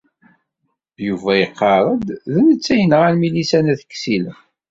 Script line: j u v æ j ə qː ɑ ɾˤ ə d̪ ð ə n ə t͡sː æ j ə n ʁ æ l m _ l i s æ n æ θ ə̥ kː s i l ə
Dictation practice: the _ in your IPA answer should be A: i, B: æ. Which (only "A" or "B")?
A